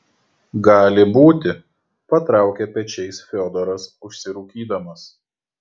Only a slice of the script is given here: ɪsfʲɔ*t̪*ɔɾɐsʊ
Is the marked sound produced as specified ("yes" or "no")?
no